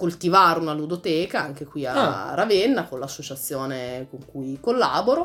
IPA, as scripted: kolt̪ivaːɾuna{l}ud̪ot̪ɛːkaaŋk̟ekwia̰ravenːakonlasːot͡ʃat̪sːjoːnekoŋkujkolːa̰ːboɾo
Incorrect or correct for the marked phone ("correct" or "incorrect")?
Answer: correct